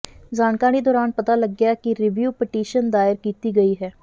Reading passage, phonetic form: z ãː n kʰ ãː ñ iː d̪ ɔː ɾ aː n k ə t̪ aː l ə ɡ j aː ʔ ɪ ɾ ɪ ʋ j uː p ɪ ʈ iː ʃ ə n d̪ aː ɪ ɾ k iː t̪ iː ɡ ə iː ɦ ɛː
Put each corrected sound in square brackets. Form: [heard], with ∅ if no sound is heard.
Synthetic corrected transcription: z [aː] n [k] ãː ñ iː d̪ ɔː ɾ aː n [p] ə t̪ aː l ə ɡ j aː [k] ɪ ɾ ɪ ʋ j uː p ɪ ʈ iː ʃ ə n d̪ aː ɪ ɾ k iː t̪ iː ɡ ə iː ɦ ɛː